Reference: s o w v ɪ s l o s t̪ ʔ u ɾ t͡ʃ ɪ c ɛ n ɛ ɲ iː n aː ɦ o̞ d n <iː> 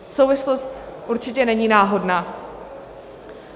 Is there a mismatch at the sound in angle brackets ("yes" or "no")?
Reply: yes